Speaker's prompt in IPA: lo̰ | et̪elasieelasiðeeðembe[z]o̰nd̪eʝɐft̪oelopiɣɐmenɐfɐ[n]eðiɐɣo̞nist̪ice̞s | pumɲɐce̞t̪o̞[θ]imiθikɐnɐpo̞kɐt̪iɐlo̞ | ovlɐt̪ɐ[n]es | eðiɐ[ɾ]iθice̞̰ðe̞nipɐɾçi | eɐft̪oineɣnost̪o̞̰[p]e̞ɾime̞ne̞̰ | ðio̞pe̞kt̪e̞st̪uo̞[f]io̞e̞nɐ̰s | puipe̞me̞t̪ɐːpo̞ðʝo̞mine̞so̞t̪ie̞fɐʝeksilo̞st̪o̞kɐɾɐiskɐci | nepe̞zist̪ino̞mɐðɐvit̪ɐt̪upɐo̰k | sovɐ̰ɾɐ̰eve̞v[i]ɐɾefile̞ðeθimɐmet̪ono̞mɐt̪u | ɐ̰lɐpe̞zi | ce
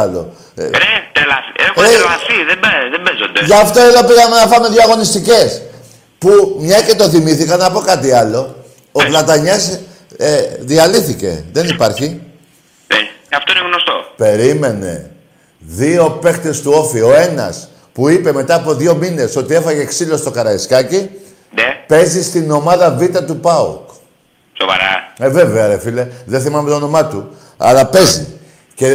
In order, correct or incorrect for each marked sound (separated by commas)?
correct, incorrect, correct, incorrect, incorrect, correct, correct, incorrect